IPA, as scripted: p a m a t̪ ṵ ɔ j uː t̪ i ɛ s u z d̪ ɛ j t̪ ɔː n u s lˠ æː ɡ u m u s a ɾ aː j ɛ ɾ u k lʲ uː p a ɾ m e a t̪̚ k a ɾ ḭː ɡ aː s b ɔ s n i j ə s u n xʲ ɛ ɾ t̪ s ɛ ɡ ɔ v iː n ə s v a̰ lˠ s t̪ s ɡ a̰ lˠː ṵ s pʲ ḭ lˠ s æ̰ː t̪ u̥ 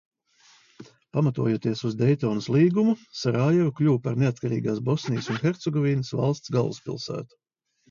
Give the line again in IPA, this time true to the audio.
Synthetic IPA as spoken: p a m a t̪ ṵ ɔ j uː t̪ i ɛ s u z d̪ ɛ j t̪ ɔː n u s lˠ iː ɡ u m u s a ɾ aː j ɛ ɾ u k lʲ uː p a ɾ n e a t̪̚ k a ɾ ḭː ɡ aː s b ɔ s n i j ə s u n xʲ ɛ ɾ t̪ s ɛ ɡ ɔ v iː n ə s v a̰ lˠ s t̪ s ɡ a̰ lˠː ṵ s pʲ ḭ lˠ s æ̰ː t̪ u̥